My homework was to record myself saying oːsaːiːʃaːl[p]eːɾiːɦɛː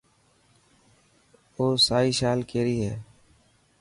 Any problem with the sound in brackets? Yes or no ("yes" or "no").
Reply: yes